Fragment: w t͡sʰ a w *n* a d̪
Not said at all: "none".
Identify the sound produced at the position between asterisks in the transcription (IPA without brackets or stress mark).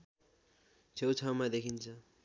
m